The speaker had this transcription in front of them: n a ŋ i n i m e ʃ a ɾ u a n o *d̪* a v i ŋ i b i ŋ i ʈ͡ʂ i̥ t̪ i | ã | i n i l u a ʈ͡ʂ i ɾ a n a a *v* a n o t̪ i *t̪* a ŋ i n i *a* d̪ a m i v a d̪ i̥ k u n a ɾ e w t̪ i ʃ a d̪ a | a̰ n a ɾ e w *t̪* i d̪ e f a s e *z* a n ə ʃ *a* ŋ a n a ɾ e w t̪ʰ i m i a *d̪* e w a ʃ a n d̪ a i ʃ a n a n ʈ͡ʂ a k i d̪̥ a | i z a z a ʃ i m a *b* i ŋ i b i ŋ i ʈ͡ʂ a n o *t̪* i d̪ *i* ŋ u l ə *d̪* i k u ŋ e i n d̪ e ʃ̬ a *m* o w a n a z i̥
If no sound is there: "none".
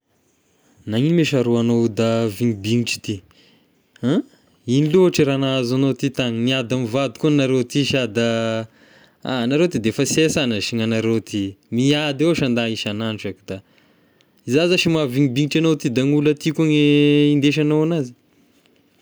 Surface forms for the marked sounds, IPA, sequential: d̪, z, t̪, a, t̪, s, i, d̪, v, t̪, a, t̪, n

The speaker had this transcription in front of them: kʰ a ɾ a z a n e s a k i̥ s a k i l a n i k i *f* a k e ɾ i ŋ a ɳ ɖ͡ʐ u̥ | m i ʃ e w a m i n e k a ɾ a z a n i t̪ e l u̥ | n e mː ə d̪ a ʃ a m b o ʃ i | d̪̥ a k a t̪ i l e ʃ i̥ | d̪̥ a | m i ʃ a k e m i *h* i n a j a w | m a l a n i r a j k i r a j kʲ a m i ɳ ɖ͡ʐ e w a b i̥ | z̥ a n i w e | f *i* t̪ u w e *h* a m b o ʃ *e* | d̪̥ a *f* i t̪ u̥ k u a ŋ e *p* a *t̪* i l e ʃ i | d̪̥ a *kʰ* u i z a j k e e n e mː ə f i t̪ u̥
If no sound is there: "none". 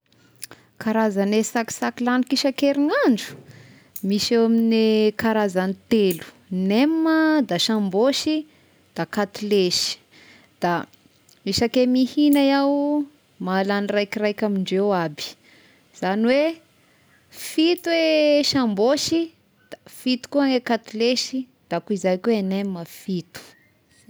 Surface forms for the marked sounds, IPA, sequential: ʃ, h, i, ʃ, i, f, k, t̪, k

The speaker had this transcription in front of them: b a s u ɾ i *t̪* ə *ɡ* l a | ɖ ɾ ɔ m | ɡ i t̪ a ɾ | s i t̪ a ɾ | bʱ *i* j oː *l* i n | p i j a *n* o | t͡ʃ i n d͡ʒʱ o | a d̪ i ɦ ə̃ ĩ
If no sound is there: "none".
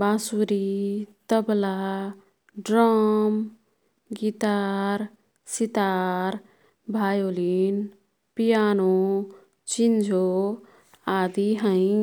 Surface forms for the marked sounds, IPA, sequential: t̪, b, a, l, n

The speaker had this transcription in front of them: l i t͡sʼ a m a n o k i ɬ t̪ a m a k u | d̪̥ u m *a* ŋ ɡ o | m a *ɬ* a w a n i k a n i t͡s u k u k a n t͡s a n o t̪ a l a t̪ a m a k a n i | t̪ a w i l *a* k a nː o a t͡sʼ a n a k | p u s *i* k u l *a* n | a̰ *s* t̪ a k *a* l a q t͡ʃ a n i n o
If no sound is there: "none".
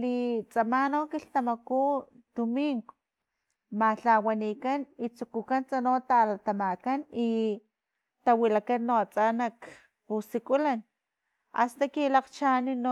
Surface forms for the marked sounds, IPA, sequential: i, ɬ, a, i, a, s, i

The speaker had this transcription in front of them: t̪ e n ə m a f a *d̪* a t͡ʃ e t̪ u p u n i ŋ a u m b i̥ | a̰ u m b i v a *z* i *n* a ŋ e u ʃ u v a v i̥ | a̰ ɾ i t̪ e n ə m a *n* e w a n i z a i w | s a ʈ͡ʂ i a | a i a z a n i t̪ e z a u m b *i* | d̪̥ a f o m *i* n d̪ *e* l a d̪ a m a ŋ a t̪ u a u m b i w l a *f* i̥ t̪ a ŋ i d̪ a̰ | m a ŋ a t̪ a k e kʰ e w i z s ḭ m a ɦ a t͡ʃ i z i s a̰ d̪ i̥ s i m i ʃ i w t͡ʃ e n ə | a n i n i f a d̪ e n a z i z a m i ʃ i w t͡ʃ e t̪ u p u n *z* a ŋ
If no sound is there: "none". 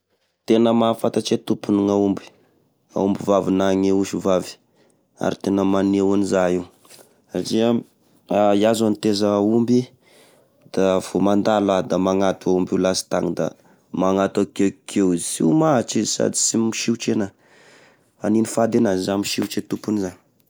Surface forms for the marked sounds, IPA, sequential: t̪, v, n, n, i, a, a, s, z

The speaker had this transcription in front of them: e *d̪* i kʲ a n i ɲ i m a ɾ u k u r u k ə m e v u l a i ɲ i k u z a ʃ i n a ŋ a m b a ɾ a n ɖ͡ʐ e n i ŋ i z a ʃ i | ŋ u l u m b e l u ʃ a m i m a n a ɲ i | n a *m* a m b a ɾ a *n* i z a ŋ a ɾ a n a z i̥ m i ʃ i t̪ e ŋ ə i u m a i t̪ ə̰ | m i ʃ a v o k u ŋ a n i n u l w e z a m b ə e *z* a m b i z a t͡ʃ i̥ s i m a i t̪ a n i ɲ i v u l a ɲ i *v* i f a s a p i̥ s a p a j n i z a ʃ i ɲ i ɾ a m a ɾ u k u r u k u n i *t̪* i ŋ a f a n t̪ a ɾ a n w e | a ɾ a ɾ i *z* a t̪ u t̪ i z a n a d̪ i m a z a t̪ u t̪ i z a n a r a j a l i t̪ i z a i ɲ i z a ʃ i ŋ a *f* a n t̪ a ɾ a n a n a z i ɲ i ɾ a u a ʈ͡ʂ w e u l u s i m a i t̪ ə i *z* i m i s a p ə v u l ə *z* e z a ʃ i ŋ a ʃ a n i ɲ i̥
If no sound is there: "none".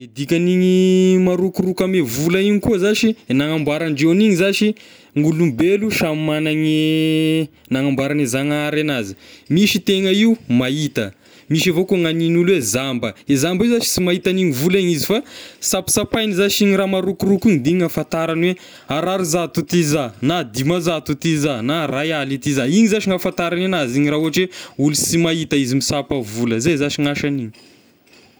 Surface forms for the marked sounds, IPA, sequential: d̪, ŋ, n, z, z, d̪, z, f, z, z

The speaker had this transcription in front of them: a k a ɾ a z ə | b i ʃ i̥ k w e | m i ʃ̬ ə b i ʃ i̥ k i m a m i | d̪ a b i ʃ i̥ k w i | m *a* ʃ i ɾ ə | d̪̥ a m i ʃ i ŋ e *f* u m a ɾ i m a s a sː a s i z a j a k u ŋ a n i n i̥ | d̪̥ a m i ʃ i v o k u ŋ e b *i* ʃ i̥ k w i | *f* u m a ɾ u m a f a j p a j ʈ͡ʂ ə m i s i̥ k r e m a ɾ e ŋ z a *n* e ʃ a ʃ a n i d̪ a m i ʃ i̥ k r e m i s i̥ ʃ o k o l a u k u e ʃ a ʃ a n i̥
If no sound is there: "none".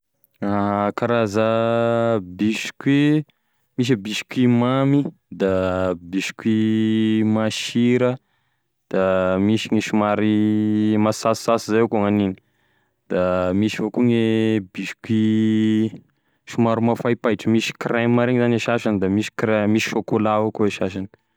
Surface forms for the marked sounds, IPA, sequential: a, ʃ, i, ʃ, n

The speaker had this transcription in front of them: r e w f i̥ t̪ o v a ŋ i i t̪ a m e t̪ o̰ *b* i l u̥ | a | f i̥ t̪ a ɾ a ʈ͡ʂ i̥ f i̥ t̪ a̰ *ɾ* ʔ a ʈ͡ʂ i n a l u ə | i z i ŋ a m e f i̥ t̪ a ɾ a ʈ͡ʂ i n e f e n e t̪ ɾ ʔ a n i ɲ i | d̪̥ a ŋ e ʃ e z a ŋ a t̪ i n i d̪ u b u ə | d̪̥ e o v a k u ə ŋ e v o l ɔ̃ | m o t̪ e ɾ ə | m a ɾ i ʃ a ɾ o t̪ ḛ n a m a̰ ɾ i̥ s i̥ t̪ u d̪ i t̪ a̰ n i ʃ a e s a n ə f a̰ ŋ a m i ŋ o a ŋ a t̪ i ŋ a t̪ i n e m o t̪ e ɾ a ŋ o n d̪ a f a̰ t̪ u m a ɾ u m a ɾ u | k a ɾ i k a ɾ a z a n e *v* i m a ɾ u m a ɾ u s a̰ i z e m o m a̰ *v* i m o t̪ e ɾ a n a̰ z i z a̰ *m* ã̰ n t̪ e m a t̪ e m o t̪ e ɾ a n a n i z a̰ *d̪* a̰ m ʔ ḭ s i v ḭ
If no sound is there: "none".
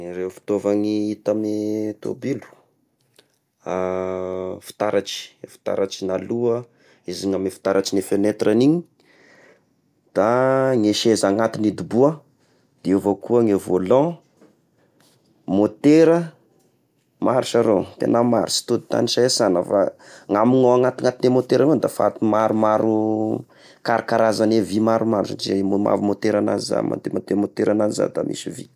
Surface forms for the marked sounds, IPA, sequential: b, ɾ, v, v, m, d̪

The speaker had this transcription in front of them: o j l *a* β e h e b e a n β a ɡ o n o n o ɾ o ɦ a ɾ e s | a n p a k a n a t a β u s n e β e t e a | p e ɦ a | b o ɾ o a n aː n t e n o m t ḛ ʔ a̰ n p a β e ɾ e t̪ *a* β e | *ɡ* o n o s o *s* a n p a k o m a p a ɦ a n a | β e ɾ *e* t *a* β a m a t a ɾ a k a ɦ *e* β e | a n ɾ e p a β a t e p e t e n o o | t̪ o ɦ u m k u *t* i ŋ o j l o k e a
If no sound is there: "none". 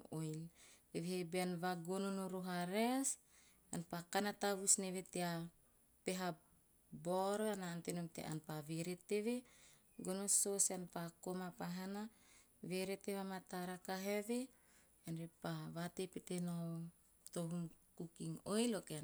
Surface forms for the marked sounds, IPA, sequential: e, e, ɡ, s, e, e, e, k

